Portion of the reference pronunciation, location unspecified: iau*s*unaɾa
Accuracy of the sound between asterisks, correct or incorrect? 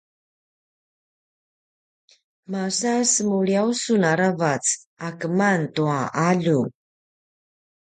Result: correct